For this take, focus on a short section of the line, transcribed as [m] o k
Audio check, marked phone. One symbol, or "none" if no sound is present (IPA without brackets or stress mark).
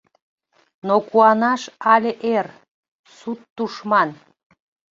n